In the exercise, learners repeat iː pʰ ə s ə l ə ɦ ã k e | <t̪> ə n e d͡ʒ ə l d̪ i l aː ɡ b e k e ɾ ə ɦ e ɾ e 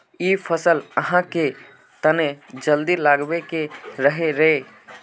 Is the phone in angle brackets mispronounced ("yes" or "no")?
no